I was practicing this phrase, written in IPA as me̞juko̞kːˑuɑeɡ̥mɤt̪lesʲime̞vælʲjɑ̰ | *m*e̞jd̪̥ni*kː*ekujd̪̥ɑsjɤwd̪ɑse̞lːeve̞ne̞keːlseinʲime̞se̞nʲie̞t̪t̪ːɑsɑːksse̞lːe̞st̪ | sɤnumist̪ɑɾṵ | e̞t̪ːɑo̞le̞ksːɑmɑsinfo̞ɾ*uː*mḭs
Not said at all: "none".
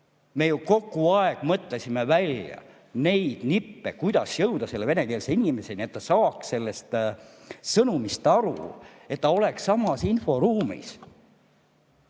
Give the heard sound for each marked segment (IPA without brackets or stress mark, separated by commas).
n, pː, uː